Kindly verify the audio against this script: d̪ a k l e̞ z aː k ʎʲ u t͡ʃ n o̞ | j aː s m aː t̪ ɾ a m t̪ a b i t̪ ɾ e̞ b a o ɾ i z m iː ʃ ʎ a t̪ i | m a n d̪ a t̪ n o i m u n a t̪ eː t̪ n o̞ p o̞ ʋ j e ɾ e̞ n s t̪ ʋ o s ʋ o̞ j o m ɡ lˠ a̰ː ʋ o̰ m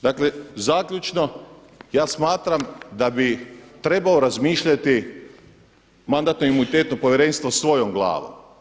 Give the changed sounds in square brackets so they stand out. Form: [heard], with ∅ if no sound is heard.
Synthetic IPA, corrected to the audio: d̪ a k l e̞ z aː k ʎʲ u t͡ʃ n o̞ | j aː s m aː t̪ ɾ a m [d̪] a b i t̪ ɾ e̞ b a o ɾ [a] z m iː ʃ ʎ a t̪ i | m a n d̪ a t̪ n o i m u n [i] t̪ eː t̪ n o̞ p o̞ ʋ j e ɾ e̞ n s t̪ ʋ o s ʋ o̞ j o m ɡ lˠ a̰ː ʋ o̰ m

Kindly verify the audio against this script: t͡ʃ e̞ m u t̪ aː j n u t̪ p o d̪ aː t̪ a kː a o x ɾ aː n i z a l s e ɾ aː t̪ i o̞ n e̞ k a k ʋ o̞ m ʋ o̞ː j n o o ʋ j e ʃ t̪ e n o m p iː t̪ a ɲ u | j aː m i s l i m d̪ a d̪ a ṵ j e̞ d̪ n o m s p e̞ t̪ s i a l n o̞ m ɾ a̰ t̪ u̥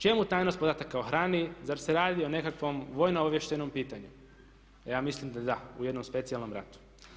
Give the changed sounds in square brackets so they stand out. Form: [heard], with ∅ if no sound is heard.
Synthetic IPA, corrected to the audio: t͡ʃ e̞ m u t̪ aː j n [o] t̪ p o d̪ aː t̪ a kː a o x ɾ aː n i z a [ɾ] s e ɾ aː [d̪] i o̞ n e̞ k a k ʋ o̞ m ʋ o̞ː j n o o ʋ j e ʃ t̪ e n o m p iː t̪ a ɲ u | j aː m i s l i m d̪ a d̪ a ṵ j e̞ d̪ n o m s p e̞ t̪ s i a l n o̞ m ɾ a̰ t̪ u̥

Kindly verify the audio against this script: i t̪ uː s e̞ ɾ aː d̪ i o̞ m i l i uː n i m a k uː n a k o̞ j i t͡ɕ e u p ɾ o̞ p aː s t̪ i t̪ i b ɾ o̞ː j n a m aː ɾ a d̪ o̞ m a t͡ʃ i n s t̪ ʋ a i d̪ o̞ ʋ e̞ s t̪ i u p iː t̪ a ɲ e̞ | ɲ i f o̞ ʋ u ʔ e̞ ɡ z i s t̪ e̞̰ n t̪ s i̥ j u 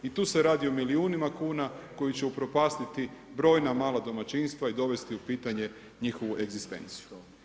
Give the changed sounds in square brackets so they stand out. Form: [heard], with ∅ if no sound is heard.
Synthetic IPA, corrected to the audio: i t̪ uː s e̞ ɾ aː d̪ i o̞ m i l i uː n i m a k uː n a k o̞ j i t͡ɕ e u p ɾ o̞ p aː s t̪ i t̪ i b ɾ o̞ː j n a m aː [l] a d̪ o̞ m a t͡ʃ i n s t̪ ʋ a i d̪ o̞ ʋ e̞ s t̪ i u p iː t̪ a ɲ e̞ | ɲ i [x] o̞ ʋ u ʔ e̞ ɡ z i s t̪ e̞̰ n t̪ s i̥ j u

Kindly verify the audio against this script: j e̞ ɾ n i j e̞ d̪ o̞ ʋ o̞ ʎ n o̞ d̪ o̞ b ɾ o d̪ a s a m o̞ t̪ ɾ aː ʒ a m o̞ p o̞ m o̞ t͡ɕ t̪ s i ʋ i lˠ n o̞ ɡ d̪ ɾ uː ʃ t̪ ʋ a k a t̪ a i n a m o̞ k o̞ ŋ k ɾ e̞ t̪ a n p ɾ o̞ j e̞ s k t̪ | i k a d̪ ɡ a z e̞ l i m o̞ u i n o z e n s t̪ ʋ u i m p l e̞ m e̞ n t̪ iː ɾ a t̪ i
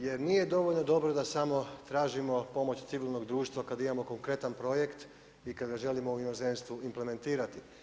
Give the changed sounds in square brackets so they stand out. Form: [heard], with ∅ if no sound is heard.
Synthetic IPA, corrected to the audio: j e̞ ɾ n i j e̞ d̪ o̞ ʋ o̞ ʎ n o̞ d̪ o̞ b ɾ o d̪ a s a m o̞ t̪ ɾ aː ʒ [i] m o̞ p o̞ m o̞ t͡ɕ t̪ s i ʋ i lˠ n o̞ ɡ d̪ ɾ uː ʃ t̪ ʋ a k a [d̪] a i [m] a m o̞ k o̞ ŋ k ɾ e̞ t̪ a n p ɾ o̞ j e̞ [∅] k t̪ | i k a d̪ ɡ a [ʒ] e̞ l i m o̞ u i n o z e n s t̪ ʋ u i m p l e̞ m e̞ n t̪ iː ɾ a t̪ i

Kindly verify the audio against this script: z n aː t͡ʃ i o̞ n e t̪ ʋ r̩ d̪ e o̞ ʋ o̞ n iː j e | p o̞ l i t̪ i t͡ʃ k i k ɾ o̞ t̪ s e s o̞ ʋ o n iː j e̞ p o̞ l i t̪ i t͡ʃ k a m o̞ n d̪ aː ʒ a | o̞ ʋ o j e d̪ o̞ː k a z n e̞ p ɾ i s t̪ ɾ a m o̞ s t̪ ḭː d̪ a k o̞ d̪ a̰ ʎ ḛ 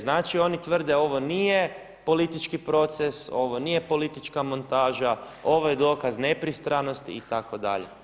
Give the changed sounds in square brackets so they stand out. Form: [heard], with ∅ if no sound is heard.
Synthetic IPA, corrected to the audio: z n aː t͡ʃ i o̞ n [i] t̪ ʋ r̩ d̪ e o̞ ʋ o̞ n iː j e | p o̞ l i t̪ i t͡ʃ k i [p] ɾ o̞ t̪ s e s o̞ ʋ o n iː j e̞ p o̞ l i t̪ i t͡ʃ k a m o̞ n [t̪] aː ʒ a | o̞ ʋ o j e d̪ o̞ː k a z n e̞ p ɾ i s t̪ ɾ a [n] o̞ s t̪ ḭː [t̪] a k o̞ d̪ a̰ ʎ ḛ

